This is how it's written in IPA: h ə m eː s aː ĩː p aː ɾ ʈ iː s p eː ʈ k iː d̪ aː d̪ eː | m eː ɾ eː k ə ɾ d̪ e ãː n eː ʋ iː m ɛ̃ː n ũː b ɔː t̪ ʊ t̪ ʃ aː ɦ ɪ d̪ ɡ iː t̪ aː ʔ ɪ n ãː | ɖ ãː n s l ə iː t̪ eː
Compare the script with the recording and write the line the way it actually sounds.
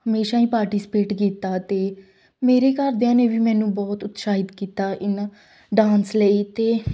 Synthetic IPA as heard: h ə m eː ʃ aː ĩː p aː ɾ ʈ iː s p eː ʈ k iː t̪ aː t̪ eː | m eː ɾ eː k ə ɾ d̪ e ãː n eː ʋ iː m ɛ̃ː n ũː b ɔː t̪ ʊ t̪ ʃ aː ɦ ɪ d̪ k iː t̪ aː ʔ ɪ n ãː | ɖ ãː n s l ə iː t̪ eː